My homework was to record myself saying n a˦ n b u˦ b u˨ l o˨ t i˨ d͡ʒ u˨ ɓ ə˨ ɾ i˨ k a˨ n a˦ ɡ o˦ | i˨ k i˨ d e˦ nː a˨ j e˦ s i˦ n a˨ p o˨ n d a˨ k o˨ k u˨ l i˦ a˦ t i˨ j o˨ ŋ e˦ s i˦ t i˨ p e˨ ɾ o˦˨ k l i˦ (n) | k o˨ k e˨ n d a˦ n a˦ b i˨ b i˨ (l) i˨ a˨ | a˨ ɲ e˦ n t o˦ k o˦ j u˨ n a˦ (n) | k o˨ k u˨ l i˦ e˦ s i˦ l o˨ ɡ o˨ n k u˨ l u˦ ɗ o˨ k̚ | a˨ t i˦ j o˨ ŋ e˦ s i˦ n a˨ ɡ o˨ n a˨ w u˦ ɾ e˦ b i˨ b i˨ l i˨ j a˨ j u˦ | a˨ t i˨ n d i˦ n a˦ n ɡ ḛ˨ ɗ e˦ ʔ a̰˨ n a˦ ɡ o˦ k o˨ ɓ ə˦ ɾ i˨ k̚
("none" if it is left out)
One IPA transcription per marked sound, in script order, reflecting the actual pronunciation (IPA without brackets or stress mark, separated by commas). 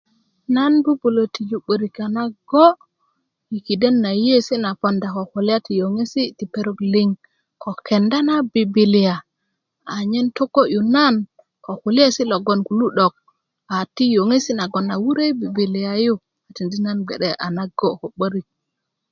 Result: ŋ, l, n